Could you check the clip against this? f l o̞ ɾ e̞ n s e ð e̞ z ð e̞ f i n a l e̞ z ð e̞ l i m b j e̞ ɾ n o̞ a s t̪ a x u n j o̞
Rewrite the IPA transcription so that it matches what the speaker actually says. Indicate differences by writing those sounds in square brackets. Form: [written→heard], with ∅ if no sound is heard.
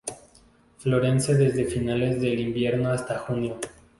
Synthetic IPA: f l o̞ ɾ e̞ n s e ð e̞ z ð e̞ f i n a l e̞ z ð e̞ l i m b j e̞ ɾ n o̞ a s t̪ a x u n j o̞